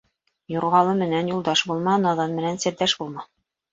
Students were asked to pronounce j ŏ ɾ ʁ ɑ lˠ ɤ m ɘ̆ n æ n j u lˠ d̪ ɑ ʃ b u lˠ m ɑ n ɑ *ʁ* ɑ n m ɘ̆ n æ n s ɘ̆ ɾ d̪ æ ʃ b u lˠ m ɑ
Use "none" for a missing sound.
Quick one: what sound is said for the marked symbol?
ð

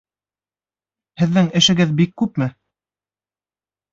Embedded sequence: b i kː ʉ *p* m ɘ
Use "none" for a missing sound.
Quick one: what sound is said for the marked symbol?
p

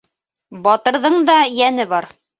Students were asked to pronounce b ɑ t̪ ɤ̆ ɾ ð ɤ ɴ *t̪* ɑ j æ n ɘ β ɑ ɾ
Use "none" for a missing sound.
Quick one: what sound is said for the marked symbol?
d̪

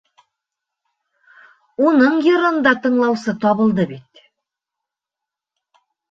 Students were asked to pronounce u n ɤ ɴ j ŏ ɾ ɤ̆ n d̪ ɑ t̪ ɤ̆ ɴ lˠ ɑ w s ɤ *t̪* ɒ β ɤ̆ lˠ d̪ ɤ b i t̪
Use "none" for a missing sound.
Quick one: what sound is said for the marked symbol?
t̪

